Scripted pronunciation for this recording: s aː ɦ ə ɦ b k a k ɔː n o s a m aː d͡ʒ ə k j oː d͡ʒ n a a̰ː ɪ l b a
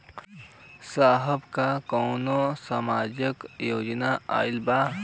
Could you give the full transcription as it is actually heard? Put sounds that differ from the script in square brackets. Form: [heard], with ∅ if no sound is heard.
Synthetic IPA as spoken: s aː ɦ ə [∅] b k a k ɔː n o s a m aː d͡ʒ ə k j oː d͡ʒ n a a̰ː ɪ l b a